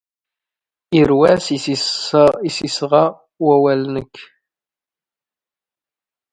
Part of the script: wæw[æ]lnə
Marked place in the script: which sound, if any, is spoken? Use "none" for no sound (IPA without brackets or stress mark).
æ